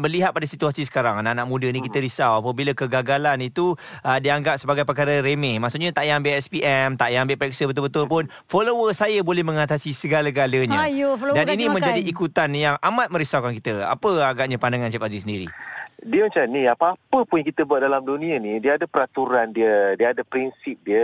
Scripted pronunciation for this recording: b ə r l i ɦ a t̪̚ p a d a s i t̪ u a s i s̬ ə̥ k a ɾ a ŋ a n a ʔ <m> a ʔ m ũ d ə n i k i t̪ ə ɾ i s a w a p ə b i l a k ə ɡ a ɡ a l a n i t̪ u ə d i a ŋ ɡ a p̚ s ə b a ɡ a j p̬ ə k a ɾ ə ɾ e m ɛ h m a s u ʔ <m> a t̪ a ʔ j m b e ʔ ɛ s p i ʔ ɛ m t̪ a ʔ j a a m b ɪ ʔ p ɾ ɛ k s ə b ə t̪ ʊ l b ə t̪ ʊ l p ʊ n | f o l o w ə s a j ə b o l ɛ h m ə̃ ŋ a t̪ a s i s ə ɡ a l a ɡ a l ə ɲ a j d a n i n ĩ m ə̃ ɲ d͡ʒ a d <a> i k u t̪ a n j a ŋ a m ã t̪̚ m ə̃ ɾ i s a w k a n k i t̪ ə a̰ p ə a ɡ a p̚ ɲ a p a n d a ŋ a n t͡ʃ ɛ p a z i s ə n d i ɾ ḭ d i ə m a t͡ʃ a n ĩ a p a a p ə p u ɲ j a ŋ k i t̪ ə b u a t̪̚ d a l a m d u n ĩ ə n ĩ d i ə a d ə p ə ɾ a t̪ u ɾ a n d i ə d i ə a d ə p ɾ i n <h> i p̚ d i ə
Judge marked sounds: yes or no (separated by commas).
no, no, no, no